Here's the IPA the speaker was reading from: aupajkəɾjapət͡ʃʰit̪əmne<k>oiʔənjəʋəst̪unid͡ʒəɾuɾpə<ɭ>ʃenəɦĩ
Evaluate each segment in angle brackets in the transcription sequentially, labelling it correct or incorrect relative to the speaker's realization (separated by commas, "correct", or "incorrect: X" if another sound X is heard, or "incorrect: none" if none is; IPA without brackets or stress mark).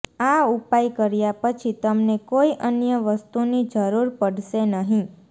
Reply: correct, incorrect: ɽ